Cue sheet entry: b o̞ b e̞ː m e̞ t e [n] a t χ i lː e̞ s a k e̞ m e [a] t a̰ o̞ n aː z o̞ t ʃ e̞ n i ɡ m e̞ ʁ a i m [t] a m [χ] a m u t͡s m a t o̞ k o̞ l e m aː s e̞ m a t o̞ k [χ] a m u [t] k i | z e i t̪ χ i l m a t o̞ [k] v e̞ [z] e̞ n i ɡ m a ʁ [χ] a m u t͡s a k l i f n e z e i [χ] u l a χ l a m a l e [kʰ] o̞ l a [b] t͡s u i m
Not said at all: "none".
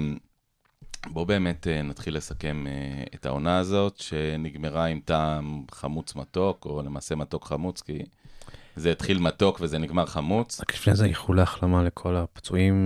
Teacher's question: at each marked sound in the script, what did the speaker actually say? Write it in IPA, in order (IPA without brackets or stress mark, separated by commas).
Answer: n, e, t, χ, χ, t͡s, k, z, χ, χ, kʰ, p